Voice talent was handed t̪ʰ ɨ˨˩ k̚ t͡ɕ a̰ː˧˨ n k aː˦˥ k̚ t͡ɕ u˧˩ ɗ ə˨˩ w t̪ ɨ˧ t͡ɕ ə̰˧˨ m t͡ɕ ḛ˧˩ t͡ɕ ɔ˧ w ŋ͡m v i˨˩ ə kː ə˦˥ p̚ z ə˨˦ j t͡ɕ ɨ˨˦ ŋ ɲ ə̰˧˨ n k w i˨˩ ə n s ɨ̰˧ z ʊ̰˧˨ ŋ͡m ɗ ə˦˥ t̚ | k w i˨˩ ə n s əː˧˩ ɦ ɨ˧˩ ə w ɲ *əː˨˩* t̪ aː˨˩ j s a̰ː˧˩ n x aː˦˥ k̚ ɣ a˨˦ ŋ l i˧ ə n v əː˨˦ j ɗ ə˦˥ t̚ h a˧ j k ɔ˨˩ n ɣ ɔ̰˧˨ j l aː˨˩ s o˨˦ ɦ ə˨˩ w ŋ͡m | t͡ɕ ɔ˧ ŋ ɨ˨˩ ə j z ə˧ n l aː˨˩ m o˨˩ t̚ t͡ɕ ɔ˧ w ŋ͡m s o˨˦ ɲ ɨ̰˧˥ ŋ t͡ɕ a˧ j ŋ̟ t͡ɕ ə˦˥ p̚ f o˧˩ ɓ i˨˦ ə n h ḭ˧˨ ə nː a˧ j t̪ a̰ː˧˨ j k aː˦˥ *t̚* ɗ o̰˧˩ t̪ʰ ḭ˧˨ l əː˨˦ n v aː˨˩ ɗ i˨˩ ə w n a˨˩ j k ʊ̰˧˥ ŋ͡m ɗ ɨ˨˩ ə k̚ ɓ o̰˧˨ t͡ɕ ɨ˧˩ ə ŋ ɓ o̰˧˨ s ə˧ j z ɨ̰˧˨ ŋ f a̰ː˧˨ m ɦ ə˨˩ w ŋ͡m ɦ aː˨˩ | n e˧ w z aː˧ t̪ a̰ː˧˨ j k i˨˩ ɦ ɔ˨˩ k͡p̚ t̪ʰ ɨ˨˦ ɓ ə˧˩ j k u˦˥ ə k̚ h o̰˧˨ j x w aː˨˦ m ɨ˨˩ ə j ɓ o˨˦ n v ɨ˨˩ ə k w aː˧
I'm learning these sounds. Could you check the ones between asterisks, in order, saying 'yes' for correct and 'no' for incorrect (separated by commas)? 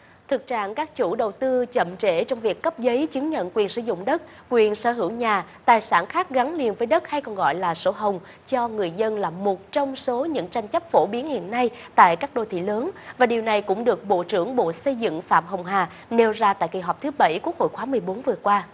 no, no